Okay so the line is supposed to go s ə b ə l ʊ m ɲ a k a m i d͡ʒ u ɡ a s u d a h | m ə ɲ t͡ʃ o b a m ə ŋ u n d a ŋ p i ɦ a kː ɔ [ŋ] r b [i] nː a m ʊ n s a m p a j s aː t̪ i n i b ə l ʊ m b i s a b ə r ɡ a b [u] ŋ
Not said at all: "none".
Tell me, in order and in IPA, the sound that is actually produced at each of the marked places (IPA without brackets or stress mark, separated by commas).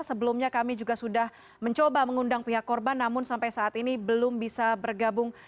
none, a, ʊ